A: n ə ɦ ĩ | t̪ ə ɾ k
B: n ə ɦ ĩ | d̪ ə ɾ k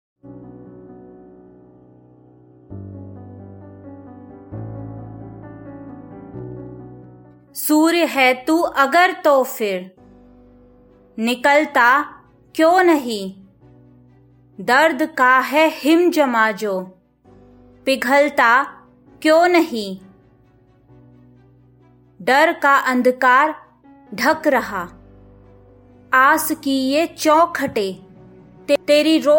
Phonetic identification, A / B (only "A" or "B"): B